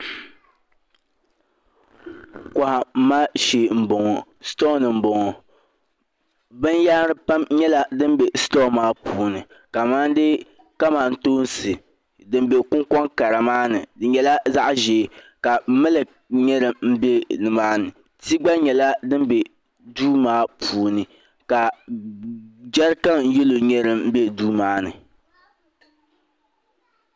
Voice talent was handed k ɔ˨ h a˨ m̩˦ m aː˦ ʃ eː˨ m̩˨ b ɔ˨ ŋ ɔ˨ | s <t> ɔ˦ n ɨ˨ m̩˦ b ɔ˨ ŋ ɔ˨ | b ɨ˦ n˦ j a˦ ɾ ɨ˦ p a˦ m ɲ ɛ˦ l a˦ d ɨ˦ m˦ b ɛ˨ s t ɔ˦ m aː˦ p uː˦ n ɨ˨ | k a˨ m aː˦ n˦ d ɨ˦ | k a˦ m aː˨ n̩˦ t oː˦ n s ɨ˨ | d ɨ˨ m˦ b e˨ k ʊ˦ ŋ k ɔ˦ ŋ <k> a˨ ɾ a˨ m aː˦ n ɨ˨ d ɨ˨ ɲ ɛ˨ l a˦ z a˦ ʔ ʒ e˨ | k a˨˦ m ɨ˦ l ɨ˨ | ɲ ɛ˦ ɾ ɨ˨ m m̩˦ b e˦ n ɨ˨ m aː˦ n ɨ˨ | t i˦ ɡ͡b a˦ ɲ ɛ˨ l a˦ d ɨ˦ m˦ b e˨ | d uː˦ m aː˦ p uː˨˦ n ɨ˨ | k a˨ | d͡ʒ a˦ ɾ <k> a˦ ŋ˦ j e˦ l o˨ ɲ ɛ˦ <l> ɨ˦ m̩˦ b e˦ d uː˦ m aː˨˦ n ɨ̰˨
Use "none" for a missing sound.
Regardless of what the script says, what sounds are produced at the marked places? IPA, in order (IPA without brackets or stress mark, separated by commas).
t, k, k, ɾ